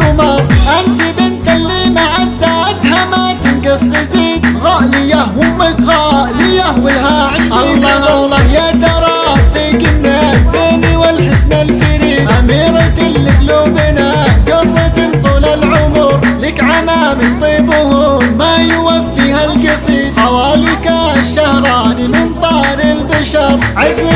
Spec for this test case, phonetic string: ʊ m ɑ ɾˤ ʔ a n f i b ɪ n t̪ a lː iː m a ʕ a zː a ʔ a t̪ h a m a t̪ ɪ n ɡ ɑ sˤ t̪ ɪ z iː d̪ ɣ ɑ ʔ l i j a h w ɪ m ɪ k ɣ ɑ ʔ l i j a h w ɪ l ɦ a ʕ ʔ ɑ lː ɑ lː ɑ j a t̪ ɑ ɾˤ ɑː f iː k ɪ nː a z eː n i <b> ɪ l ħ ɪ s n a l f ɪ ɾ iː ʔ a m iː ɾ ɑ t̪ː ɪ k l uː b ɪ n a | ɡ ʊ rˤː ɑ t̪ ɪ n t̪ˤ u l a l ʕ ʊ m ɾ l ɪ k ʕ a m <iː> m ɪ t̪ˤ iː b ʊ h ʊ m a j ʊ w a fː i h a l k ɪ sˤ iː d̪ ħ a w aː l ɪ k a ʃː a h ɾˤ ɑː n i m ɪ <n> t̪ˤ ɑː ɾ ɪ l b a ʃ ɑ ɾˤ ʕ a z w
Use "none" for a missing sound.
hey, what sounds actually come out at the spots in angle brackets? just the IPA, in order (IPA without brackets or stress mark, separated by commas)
w, aː, n